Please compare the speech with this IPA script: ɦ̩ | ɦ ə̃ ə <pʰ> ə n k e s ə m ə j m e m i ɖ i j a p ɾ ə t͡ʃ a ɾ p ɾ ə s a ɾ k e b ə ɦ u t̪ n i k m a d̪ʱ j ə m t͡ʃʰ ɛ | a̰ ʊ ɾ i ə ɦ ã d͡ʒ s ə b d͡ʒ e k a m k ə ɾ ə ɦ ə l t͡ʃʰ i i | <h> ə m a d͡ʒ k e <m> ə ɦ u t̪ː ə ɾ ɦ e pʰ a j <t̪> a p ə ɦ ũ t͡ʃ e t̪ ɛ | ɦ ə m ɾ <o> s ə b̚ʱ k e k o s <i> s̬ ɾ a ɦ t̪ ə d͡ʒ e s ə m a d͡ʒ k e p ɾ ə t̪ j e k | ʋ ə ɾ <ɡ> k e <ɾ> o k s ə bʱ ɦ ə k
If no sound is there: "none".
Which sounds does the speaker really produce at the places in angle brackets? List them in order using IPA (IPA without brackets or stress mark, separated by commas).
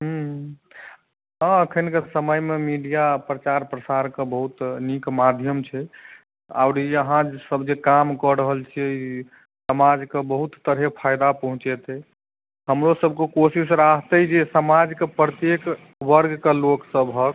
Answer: kʰ, s, b, d̪, o, i, ɡ, l